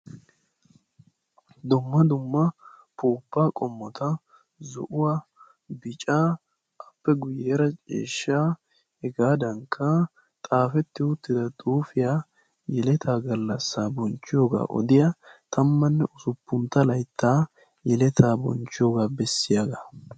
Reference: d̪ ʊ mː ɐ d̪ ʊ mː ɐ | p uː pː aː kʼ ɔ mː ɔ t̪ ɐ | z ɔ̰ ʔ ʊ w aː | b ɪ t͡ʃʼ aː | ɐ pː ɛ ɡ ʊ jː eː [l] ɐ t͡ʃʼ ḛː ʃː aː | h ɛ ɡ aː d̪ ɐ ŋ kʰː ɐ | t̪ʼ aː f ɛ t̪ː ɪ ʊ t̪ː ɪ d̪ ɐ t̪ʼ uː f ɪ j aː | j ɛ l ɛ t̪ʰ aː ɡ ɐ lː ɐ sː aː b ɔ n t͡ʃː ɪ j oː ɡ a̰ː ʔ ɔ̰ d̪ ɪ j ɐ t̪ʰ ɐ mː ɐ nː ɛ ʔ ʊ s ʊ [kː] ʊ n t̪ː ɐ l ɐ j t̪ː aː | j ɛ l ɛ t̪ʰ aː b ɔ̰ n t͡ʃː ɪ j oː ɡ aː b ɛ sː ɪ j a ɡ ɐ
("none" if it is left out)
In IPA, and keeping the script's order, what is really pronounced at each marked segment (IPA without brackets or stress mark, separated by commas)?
ɾ, pː